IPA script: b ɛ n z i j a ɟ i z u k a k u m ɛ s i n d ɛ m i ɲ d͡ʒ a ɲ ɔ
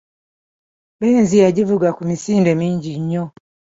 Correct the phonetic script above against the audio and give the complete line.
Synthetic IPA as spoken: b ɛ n z i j a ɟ i v u ɡ a k u m i s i n d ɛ m i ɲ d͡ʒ i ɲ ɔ